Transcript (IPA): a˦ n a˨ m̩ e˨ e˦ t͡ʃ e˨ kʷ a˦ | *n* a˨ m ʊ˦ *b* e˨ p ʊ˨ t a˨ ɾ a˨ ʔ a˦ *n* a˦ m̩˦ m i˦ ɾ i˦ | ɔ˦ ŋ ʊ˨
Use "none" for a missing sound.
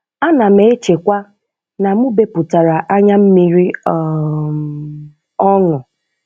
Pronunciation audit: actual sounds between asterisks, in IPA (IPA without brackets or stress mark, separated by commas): n, b, ɲ